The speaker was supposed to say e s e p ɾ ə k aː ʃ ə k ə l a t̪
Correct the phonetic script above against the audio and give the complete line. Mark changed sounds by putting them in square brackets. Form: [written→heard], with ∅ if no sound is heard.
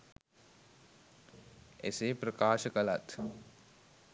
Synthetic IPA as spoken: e s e p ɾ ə k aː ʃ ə k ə l a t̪